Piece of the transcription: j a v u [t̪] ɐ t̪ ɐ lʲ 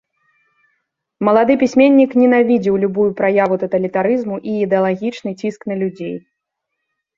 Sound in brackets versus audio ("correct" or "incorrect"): correct